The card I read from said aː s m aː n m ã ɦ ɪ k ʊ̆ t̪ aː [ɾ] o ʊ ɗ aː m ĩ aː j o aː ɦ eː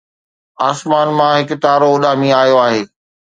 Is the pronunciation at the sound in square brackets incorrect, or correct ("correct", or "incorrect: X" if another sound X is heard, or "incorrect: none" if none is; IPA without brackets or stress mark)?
correct